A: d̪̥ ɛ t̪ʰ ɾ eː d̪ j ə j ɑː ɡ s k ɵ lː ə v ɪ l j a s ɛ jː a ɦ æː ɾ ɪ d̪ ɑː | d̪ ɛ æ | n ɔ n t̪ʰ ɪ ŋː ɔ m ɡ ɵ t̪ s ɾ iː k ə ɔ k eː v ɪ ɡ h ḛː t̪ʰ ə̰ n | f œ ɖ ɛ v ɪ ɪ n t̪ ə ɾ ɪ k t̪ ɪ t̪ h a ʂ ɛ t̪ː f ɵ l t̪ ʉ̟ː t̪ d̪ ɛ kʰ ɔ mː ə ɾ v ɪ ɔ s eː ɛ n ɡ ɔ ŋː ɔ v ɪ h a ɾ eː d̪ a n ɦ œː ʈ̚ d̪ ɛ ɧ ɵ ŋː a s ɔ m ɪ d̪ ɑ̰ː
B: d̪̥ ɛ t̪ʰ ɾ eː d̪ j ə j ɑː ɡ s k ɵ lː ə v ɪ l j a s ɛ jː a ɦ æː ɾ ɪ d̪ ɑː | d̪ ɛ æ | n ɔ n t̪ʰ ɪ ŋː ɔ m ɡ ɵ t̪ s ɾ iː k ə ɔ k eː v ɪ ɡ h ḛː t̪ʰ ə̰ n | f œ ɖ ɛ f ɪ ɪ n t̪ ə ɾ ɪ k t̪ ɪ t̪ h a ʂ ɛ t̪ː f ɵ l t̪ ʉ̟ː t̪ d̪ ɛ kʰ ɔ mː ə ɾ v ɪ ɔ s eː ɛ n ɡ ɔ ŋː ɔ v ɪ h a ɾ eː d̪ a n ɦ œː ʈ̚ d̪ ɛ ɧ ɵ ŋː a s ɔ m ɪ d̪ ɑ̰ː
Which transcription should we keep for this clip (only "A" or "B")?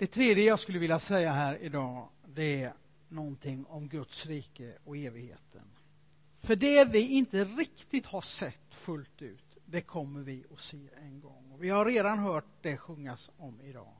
A